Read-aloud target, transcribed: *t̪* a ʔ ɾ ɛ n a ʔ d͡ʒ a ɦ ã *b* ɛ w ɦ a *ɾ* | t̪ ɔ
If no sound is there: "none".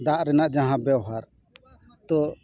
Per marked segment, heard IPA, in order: d̪, b, ɾ

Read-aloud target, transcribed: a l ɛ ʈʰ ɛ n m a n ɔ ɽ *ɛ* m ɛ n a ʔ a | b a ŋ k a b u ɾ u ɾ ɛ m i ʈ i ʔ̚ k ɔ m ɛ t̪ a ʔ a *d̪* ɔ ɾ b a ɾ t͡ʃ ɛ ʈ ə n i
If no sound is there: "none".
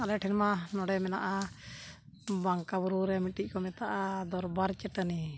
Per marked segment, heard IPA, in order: ɛ, d̪

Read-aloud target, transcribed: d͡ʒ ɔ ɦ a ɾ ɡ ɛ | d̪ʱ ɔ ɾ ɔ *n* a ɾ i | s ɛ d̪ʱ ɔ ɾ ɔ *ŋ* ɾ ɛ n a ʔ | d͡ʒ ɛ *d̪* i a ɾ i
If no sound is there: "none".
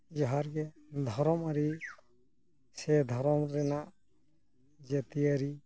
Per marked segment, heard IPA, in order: m, m, t̪

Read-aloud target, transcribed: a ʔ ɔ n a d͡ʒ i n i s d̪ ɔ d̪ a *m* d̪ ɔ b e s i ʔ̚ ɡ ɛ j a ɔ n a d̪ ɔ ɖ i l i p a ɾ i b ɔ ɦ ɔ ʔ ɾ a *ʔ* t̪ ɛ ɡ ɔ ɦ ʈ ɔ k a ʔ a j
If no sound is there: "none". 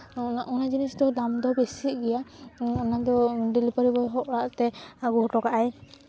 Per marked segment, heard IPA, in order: m, ʔ

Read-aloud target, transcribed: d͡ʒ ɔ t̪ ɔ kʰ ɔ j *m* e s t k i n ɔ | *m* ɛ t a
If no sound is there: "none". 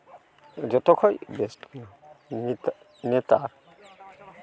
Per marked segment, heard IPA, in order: b, n

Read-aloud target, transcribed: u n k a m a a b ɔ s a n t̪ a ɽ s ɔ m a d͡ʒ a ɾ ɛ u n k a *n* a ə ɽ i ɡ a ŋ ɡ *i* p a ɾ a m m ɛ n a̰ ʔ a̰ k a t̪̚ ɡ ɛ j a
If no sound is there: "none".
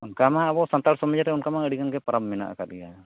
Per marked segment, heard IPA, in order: m, ɛ

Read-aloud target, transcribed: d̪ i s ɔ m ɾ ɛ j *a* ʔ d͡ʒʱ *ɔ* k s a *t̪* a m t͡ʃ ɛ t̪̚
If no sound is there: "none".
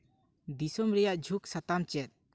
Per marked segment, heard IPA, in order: a, u, t̪

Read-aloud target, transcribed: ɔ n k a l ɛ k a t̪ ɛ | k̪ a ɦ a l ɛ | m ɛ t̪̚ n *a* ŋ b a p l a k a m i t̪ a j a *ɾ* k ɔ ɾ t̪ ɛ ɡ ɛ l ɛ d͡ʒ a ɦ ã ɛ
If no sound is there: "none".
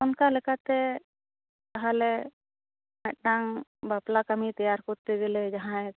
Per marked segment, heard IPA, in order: a, ɾ

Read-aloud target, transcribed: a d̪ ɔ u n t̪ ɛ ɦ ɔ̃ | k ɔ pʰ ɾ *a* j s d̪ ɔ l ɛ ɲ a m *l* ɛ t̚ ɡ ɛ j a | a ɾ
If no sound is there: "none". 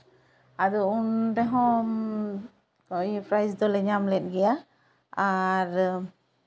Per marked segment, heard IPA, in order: a, l

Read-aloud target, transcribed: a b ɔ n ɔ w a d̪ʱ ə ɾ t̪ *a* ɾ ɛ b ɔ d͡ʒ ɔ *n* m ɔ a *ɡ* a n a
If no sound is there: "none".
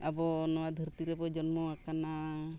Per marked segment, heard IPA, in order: i, n, k

